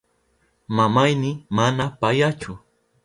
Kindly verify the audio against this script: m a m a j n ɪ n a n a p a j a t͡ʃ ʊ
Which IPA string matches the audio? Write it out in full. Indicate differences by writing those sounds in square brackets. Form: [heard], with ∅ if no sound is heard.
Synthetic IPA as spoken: m a m a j n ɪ [m] a n a p a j a t͡ʃ ʊ